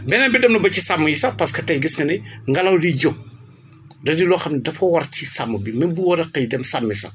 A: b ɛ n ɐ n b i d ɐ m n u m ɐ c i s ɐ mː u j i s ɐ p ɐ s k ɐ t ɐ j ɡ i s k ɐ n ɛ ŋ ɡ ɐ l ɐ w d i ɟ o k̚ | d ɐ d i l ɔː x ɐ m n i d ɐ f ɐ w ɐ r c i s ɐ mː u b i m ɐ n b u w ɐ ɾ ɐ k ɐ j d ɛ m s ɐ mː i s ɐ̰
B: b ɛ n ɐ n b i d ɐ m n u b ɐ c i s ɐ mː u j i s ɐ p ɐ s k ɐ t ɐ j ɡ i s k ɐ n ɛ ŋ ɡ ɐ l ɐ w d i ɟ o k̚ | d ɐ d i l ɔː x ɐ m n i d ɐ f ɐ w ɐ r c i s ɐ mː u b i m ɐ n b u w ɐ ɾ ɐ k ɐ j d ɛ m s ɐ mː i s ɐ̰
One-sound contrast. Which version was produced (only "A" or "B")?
B